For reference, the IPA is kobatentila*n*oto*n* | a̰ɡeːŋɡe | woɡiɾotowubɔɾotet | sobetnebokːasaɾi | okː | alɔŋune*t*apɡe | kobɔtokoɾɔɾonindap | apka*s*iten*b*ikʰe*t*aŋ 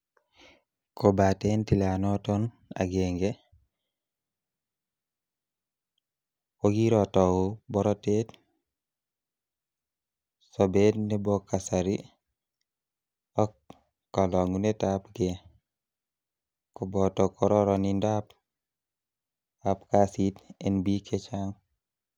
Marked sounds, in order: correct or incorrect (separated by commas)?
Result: correct, correct, correct, correct, correct, incorrect